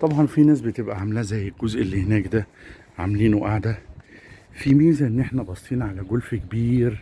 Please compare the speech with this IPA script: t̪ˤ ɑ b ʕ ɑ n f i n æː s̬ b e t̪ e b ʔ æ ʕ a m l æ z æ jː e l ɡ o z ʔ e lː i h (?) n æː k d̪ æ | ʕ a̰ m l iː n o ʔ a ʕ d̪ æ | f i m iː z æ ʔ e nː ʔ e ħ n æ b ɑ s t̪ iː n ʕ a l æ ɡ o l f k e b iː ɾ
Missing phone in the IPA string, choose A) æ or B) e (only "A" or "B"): B